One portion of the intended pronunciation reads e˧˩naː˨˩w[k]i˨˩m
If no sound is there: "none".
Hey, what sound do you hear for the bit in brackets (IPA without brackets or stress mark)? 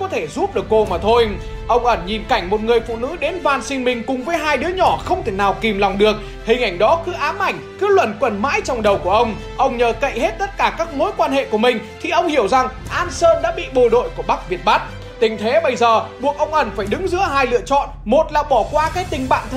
k